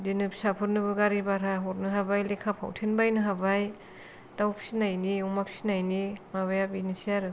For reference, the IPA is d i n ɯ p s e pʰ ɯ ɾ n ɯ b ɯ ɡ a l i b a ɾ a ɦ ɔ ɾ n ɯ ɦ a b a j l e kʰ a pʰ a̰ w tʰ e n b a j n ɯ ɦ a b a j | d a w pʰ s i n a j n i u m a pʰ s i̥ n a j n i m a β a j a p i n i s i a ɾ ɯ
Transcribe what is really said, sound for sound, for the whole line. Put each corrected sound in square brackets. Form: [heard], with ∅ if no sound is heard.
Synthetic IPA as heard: d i n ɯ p s [a] pʰ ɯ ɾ n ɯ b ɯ ɡ a [ɾ] i b a ɾ a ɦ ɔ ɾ n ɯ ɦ a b a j l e kʰ a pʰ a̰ w tʰ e n b a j n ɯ ɦ a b a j | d a w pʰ s i n a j n i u m a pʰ s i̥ n a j n i m a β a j a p i n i s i a ɾ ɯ

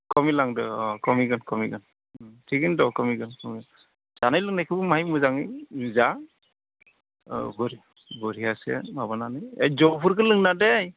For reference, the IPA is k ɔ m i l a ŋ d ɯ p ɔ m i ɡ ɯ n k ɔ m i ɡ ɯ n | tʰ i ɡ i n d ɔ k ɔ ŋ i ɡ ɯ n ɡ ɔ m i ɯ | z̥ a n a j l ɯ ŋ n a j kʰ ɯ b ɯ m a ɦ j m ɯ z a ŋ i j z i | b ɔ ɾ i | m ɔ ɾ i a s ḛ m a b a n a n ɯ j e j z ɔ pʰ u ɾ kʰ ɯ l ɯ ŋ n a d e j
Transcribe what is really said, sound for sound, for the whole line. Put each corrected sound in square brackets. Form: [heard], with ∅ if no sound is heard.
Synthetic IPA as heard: k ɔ m i l a ŋ d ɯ [k] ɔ m i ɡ ɯ n k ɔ m i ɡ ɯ n | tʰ i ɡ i n d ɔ k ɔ [m] i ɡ ɯ n [k] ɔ m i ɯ | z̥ a n a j l ɯ ŋ n a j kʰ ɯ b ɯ m a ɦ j m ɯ z a ŋ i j z [a] | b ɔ ɾ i | [b] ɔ ɾ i a s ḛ m a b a n a n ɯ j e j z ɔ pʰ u ɾ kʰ ɯ l ɯ ŋ n a d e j

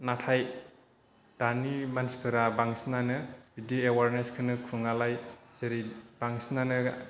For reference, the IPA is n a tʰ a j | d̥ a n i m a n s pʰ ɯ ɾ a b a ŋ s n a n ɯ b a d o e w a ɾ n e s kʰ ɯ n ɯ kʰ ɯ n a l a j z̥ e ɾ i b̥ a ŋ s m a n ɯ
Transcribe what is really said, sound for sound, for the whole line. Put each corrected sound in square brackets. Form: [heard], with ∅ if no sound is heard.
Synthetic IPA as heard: n a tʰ a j | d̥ a n i m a n s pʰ ɯ ɾ a b a ŋ s n a n ɯ b [i] d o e w a ɾ n e s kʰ ɯ n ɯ kʰ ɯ [ŋ] a l a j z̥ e ɾ i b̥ a ŋ s [n] a n ɯ

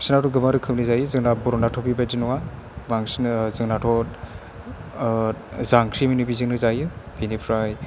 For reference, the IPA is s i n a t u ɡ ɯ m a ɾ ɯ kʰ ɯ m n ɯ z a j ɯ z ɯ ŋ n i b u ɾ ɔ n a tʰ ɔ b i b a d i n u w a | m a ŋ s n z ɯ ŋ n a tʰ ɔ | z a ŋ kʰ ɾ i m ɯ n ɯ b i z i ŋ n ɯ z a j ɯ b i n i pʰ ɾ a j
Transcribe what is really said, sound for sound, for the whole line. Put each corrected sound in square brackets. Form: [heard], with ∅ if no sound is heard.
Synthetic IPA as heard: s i n a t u ɡ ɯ m a ɾ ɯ kʰ ɯ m n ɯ z a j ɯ z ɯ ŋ n [a] b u ɾ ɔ n a tʰ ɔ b i b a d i n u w a | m a ŋ s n z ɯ ŋ n a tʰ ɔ | z a ŋ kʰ ɾ i m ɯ n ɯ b i z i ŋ n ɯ z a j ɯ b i n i pʰ ɾ a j

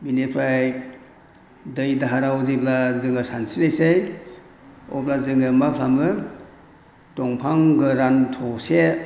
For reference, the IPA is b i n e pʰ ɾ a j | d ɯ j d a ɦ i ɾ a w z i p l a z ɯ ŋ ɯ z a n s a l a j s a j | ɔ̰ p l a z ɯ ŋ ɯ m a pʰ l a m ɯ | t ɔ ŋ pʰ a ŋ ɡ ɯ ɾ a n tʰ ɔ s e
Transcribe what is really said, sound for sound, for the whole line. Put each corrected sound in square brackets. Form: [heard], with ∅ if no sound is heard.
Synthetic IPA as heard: b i n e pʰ ɾ a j | d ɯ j d a ɦ [a] ɾ a w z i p l a z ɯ ŋ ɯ [s] a n s [i] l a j s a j | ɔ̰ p l a z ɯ ŋ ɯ m a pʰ l a m ɯ | t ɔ ŋ pʰ a ŋ ɡ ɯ ɾ a n tʰ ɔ s e

